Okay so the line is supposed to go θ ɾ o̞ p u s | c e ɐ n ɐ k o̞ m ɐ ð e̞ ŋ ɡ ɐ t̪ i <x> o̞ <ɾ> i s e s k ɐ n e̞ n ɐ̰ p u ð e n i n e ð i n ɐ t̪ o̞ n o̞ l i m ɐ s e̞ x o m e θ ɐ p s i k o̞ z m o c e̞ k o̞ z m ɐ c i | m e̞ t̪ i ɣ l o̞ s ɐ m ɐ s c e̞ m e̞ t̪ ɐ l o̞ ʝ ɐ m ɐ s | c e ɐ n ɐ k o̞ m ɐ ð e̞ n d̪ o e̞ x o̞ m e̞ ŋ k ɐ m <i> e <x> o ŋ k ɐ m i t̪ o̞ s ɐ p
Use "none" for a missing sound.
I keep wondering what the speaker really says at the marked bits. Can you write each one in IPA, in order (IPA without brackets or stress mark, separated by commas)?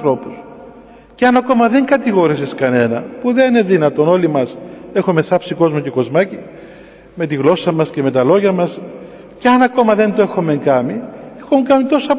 ɣ, ɾ, i, x